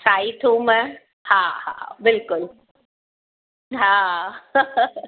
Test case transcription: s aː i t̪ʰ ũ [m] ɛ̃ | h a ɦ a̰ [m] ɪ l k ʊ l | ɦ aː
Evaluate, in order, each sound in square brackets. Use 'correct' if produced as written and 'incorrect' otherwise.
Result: correct, incorrect

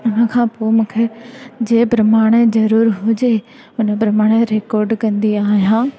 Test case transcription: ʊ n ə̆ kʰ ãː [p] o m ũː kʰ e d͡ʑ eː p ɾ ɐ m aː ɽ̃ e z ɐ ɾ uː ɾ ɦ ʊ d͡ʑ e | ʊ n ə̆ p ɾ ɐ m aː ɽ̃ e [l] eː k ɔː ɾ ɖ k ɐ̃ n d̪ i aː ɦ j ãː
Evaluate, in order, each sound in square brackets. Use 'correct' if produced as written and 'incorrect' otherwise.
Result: correct, incorrect

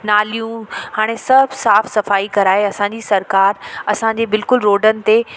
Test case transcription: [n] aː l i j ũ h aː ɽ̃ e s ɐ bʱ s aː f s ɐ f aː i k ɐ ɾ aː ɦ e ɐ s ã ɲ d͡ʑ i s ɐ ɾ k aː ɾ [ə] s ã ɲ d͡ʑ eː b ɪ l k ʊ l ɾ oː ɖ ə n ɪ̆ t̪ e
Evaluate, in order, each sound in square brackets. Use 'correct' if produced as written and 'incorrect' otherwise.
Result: correct, incorrect

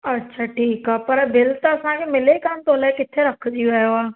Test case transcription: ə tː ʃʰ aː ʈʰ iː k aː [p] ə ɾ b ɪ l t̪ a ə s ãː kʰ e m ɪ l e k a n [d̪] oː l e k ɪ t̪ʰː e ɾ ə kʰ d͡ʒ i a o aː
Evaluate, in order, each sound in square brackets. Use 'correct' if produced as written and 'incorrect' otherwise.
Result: correct, incorrect

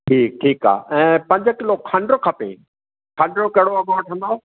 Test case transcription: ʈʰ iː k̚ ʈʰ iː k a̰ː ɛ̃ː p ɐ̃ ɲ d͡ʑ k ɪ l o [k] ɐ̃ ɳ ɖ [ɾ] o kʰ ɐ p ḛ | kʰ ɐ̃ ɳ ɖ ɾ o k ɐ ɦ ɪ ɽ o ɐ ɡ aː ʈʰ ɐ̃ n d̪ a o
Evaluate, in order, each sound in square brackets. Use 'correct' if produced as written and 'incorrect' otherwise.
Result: incorrect, correct

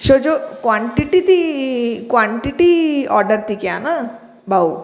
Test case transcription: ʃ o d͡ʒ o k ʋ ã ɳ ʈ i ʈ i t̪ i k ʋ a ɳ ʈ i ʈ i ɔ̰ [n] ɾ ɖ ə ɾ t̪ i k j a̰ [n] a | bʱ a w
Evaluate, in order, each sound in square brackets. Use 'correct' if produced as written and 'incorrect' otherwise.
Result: incorrect, correct

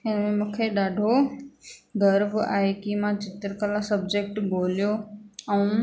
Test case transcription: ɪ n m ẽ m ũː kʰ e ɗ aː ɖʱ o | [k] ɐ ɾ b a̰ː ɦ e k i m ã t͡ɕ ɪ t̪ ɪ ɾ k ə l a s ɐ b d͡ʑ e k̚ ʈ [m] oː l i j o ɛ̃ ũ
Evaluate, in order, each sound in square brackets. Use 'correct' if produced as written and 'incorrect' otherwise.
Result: incorrect, incorrect

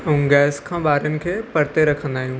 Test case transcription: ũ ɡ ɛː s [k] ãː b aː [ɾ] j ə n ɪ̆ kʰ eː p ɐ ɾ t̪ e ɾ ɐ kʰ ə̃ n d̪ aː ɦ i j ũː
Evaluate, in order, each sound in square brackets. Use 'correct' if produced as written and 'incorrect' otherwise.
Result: incorrect, correct

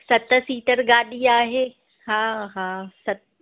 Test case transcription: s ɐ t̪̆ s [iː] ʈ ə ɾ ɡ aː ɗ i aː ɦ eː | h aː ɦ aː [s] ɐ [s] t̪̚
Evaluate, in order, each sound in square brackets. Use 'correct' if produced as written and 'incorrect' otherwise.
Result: correct, correct, incorrect

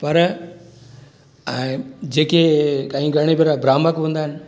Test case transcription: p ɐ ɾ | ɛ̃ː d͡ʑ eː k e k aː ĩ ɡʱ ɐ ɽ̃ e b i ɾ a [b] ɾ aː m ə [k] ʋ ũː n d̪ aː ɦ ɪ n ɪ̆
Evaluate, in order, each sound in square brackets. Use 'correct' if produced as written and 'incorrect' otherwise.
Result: correct, correct

